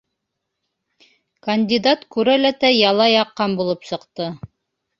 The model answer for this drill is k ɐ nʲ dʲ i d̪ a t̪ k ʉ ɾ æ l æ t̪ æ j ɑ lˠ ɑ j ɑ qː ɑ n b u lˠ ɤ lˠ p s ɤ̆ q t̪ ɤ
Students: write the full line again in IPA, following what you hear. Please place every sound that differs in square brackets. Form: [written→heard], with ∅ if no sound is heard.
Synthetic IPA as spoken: k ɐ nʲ dʲ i d̪ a t̪ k ʉ ɾ æ l æ t̪ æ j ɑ lˠ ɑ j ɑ qː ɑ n b u lˠ ɤ [lˠ→∅] p s ɤ̆ q t̪ ɤ